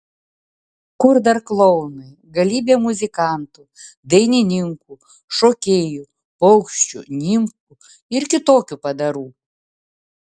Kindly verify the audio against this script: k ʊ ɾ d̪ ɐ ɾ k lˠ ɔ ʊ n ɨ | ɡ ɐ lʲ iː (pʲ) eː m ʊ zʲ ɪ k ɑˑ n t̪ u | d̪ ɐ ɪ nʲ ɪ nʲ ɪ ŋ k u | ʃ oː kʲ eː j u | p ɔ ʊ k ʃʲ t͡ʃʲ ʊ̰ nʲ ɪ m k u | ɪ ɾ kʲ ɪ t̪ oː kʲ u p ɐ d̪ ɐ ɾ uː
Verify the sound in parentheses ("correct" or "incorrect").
incorrect